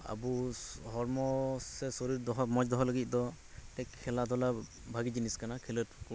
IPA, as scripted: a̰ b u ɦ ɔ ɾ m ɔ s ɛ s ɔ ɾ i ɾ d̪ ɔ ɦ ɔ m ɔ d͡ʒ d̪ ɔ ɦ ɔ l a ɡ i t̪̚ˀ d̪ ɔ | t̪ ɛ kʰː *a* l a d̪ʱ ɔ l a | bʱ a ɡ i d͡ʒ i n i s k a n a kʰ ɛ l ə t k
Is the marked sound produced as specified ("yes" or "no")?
no